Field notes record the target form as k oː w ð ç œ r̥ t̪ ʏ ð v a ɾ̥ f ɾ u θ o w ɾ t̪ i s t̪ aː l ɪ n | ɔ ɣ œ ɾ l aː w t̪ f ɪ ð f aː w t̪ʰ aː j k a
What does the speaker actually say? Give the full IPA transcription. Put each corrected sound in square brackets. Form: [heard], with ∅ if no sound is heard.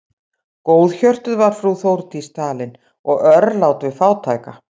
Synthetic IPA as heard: k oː w ð ç œ r̥ t̪ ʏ ð v a ɾ̥ f ɾ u θ o w ɾ t̪ i s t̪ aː l ɪ n | ɔ ɣ œ ɾ l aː w t̪ [v] ɪ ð f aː w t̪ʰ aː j k a